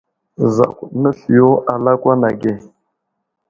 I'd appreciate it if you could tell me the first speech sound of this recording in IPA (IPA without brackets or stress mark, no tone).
z